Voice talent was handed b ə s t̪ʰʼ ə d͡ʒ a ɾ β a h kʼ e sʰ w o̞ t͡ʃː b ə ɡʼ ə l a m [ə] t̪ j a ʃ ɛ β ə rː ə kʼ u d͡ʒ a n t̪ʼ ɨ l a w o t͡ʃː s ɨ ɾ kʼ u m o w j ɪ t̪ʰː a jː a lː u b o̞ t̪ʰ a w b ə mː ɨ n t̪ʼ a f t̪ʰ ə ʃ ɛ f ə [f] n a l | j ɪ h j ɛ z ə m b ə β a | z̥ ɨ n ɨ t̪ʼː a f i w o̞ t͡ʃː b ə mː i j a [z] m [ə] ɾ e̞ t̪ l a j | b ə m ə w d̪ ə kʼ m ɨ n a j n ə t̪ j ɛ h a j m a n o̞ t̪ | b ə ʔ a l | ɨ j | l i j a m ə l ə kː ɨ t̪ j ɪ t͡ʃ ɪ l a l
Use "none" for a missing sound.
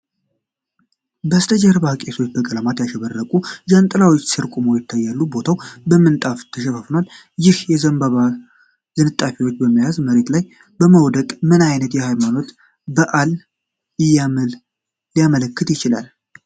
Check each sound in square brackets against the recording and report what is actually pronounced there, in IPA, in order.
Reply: a, f, z, ə

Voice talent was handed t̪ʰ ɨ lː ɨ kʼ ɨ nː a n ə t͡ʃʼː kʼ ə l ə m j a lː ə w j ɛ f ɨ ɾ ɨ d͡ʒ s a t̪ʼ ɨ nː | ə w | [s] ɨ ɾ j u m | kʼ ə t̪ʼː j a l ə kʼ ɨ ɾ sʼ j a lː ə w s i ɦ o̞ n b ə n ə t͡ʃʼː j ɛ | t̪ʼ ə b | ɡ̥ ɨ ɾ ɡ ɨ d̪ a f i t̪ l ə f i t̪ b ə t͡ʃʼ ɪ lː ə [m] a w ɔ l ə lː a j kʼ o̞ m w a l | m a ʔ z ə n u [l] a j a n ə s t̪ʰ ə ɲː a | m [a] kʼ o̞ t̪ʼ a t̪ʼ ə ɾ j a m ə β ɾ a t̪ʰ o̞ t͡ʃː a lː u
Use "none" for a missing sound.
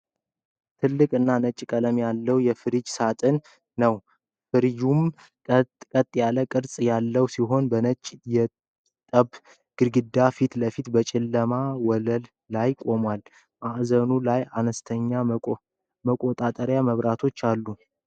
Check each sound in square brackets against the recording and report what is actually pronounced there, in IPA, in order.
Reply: f, m, l, ə

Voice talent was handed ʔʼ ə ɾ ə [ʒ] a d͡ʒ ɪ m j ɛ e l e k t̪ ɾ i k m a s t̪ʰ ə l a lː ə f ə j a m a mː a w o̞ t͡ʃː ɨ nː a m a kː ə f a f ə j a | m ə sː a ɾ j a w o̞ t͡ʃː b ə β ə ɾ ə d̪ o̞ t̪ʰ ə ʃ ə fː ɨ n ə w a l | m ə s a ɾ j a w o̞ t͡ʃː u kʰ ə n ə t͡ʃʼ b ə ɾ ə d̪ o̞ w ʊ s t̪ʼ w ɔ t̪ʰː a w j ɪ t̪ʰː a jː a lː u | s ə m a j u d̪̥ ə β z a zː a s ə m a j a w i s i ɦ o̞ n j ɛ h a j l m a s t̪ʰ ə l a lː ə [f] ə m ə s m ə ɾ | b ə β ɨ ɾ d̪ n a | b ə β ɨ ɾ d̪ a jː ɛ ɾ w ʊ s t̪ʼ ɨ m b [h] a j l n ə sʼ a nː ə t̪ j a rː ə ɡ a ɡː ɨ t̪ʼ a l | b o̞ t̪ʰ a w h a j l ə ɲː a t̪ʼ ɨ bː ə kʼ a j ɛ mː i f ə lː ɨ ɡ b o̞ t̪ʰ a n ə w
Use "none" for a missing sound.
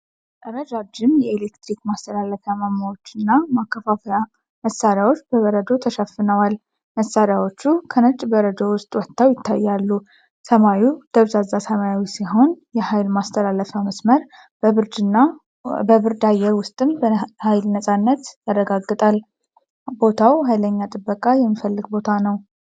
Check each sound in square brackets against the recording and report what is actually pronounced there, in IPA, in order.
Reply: d͡ʒ, f, h

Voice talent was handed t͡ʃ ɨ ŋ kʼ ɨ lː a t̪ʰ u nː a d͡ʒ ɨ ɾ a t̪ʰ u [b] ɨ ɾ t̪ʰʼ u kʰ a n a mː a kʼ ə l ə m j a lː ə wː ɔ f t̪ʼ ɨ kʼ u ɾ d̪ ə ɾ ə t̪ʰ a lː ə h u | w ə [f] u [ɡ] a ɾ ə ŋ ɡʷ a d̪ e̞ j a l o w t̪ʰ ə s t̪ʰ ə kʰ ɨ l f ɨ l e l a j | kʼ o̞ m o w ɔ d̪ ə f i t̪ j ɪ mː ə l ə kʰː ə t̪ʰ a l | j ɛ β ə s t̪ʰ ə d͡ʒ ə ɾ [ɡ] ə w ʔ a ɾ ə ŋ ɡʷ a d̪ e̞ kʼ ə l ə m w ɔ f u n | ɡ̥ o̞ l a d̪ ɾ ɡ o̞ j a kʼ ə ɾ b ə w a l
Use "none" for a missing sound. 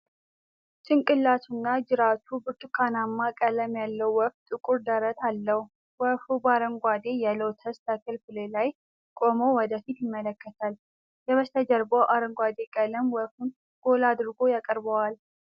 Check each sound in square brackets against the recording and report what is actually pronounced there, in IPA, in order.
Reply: b, f, b, b

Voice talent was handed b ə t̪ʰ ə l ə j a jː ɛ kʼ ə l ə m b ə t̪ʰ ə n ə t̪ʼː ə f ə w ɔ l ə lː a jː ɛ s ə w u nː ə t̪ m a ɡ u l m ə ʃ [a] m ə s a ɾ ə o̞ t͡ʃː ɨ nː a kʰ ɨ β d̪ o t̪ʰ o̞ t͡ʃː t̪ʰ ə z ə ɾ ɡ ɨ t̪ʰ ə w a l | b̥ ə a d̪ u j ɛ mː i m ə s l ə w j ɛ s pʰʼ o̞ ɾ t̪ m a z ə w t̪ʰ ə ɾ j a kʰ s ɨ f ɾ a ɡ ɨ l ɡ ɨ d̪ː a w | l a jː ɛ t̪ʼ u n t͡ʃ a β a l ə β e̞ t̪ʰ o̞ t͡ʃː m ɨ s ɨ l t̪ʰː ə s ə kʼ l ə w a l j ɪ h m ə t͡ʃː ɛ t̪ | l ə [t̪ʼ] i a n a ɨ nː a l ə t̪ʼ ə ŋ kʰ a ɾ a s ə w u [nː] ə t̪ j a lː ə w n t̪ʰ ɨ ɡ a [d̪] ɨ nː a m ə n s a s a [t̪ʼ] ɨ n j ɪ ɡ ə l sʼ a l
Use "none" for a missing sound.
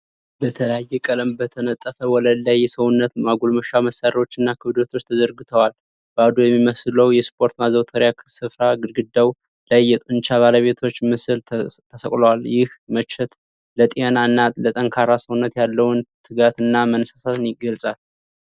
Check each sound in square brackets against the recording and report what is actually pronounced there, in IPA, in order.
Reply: a, t̪ʼ, nː, t̪, t̪

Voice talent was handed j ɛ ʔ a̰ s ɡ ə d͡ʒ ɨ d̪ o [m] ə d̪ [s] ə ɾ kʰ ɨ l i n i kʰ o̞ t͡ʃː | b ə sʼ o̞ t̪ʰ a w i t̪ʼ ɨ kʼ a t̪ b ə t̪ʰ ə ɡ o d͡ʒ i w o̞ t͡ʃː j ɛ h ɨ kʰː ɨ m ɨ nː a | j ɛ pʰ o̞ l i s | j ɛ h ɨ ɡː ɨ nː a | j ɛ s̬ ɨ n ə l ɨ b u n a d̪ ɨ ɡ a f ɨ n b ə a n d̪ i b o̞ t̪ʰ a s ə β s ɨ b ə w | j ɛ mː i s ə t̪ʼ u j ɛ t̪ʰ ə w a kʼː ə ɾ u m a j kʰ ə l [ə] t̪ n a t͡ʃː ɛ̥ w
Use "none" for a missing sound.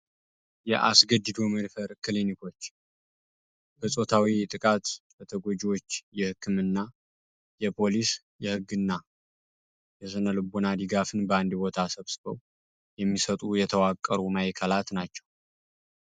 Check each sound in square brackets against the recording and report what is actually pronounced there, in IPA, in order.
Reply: m, f, a

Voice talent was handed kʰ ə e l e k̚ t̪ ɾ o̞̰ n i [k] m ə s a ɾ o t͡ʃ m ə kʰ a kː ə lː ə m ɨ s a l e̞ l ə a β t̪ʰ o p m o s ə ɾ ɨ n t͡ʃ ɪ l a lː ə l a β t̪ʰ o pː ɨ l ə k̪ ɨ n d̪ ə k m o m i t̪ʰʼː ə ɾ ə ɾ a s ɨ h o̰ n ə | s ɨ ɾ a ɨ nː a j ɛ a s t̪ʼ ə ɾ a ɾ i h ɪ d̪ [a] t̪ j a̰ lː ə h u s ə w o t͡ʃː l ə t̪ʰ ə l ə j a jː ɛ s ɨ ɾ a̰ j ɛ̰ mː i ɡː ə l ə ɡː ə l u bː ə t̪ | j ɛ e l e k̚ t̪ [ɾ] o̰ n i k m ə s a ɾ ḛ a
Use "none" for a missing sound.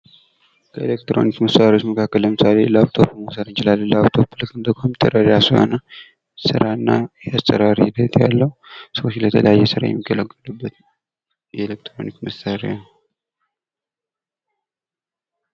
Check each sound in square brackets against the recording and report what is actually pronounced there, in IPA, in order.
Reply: k, ə, ɾ

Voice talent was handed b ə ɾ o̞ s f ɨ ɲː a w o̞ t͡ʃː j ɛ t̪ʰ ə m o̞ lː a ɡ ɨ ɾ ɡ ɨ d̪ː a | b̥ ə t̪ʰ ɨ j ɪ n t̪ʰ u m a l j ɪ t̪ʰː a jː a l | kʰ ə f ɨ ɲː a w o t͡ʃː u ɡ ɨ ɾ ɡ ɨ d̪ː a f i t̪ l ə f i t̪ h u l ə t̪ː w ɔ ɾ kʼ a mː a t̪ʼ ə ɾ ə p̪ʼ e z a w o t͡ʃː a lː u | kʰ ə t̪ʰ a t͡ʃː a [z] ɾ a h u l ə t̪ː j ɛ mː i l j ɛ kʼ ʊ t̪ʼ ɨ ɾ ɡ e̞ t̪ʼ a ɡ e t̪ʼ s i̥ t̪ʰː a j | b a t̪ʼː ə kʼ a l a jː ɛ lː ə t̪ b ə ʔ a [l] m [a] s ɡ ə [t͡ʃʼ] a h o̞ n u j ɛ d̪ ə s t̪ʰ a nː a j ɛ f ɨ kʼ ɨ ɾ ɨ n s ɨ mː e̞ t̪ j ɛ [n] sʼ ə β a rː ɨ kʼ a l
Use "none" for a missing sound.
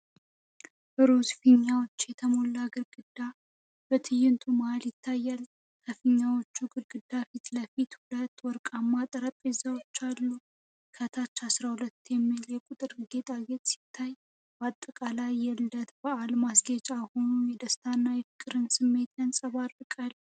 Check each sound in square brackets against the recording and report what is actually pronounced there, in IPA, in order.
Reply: s, l, a, t͡ʃʼ, n

